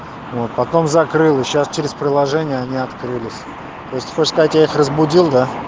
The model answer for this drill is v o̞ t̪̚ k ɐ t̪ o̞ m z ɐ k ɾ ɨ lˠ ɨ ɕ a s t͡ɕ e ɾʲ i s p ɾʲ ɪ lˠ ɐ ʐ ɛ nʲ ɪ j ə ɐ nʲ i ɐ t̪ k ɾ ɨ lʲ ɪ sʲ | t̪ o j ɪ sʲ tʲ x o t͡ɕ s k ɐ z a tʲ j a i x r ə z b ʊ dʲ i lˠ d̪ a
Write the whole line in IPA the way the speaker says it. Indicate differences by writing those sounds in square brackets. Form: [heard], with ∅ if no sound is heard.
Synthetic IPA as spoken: v o̞ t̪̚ [p] ɐ t̪ o̞ m z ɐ k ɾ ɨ lˠ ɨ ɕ a s t͡ɕ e ɾʲ [ɪ] s p ɾʲ ɪ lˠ ɐ ʐ ɛ nʲ ɪ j ə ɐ nʲ i ɐ t̪ k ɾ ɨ lʲ ɪ sʲ | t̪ o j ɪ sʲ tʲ x o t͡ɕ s k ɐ z a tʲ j a i x r ə z b ʊ dʲ i lˠ d̪ a